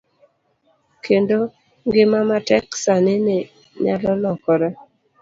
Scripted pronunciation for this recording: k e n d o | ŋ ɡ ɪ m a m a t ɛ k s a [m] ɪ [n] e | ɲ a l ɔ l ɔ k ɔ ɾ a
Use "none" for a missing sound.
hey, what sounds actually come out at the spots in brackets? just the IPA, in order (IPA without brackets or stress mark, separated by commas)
n, n